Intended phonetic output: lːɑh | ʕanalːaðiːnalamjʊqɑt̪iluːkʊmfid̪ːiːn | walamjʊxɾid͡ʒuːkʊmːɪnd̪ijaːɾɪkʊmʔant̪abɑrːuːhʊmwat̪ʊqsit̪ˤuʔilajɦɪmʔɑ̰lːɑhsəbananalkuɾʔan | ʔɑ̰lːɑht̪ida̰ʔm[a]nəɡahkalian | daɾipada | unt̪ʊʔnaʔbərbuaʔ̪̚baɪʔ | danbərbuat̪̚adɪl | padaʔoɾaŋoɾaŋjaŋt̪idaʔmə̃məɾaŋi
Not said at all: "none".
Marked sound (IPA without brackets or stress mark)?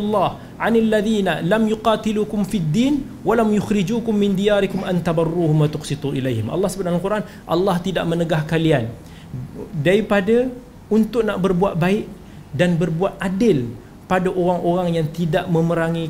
ə